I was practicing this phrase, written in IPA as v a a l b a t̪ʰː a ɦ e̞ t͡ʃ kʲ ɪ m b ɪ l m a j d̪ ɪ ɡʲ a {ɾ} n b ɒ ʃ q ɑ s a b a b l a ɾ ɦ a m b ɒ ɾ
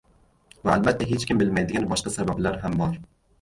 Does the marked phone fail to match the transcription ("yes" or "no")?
yes